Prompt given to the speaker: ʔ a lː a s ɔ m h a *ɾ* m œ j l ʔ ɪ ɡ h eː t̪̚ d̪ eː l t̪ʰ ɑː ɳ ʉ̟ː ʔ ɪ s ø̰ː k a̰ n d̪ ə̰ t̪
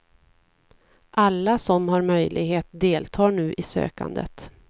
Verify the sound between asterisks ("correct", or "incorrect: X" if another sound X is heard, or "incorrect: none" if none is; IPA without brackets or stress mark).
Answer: correct